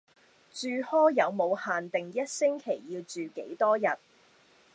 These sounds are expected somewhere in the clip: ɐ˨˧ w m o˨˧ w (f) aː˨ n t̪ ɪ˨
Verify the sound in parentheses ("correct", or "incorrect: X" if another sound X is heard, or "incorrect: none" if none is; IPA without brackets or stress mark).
incorrect: h